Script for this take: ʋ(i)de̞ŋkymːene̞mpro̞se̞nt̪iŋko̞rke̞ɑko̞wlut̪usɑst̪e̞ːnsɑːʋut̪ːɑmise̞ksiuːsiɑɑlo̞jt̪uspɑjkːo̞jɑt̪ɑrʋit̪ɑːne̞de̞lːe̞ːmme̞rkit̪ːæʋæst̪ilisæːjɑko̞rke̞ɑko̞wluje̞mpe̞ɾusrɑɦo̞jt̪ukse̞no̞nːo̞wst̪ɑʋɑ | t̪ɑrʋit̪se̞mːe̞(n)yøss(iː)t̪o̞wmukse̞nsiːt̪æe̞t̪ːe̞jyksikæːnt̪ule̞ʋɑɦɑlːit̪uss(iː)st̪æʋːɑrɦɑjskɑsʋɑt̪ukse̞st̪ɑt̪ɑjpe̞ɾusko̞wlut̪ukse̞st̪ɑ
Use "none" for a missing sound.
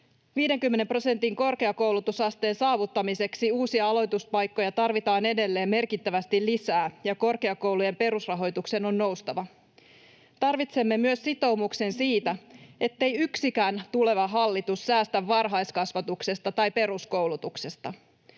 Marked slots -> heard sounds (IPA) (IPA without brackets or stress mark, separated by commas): iː, m, i, æː